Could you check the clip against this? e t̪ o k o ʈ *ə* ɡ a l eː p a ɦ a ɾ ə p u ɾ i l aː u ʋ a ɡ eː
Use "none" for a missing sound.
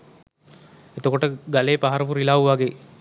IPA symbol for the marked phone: ə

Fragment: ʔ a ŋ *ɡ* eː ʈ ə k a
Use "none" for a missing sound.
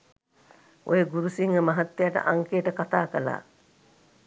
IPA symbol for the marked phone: k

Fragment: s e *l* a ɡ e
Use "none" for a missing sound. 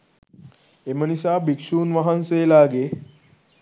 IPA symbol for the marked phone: l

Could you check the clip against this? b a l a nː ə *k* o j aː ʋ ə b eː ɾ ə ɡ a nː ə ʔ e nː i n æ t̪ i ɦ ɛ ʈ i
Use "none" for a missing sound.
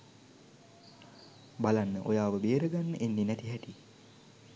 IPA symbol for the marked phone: ʔ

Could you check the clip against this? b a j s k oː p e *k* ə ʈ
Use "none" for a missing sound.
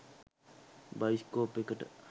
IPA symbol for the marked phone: k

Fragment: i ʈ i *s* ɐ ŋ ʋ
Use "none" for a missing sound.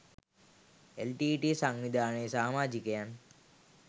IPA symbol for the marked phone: s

